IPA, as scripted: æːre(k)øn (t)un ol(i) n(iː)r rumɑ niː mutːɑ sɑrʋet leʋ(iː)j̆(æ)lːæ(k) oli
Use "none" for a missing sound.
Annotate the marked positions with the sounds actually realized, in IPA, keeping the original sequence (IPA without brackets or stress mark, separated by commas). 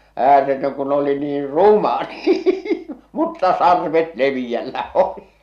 t, k, i, iː, i, æ, none